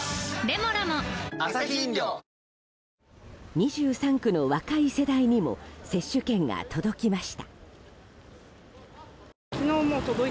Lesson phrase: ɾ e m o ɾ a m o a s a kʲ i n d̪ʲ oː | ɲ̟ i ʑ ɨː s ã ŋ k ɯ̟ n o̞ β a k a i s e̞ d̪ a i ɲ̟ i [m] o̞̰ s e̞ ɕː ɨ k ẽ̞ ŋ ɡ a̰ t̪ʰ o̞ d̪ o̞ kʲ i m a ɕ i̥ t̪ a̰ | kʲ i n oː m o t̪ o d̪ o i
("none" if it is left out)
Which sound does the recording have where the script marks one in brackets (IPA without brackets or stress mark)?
m